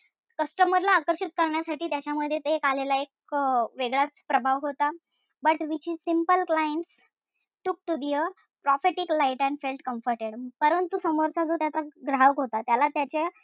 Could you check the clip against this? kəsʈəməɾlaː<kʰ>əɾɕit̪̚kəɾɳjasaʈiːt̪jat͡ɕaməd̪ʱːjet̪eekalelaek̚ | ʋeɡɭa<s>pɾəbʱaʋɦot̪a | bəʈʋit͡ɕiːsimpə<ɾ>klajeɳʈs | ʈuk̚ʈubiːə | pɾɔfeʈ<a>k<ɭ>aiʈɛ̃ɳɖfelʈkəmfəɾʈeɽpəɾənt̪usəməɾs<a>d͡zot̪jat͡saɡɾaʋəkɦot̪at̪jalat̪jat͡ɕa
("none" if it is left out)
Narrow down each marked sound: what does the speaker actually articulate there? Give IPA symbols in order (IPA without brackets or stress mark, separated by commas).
k, t͡s, l, i, l, a